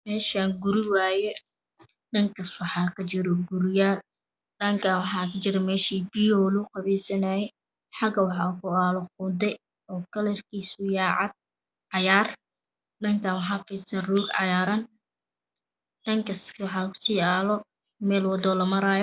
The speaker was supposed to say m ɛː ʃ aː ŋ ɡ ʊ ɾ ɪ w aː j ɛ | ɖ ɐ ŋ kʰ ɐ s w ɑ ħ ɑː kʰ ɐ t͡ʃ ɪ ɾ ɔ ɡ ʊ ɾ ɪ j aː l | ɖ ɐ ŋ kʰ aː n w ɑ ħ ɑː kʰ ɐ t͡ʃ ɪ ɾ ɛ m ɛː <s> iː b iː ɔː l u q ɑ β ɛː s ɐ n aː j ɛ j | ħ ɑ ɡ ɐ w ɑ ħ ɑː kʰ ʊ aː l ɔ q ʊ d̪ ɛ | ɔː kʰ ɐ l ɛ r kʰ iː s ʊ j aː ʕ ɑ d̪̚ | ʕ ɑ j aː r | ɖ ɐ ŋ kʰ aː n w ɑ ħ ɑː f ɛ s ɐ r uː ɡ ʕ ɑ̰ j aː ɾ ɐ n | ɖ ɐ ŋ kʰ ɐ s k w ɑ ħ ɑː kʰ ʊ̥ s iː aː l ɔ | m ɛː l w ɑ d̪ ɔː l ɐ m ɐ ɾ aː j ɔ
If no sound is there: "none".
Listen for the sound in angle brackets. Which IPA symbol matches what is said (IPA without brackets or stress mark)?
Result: ʃ